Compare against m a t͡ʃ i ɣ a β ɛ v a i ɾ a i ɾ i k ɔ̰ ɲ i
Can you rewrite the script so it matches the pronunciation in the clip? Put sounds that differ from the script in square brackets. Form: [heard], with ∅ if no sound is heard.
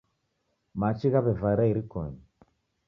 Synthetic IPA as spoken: m a t͡ʃ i ɣ a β ɛ v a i ɾ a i ɾ i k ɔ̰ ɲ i